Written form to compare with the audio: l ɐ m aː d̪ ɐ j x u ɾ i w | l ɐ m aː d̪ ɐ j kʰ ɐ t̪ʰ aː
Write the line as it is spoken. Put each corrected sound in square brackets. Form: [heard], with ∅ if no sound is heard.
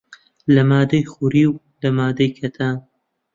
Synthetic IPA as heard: l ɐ m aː d̪ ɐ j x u ɾ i w | l ɐ m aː d̪ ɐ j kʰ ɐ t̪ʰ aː